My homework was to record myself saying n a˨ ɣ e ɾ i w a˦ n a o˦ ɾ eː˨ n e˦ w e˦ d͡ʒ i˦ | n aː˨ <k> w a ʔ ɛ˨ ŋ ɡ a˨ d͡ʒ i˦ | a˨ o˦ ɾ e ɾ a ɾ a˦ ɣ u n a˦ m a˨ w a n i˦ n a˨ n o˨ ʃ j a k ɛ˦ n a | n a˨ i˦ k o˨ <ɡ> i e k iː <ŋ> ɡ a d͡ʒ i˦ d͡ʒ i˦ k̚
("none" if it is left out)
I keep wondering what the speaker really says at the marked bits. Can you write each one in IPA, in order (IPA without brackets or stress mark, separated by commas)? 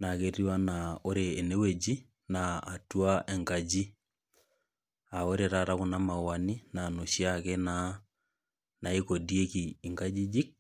t, d, ŋ